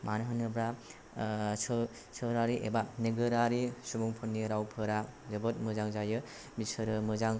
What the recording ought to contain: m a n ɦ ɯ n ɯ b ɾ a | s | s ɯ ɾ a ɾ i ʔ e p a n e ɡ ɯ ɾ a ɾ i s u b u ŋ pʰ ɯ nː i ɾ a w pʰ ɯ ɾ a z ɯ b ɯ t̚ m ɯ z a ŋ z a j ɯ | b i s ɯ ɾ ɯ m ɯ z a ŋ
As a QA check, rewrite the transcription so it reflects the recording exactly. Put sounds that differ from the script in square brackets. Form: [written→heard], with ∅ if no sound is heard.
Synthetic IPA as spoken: m a n ɦ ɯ n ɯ b ɾ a | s | s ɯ ɾ a ɾ i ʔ e [p→b] a n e ɡ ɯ ɾ a ɾ i s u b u ŋ pʰ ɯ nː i ɾ a w pʰ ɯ ɾ a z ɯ b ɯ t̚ m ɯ z a ŋ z a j ɯ | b i s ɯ ɾ ɯ m ɯ z a ŋ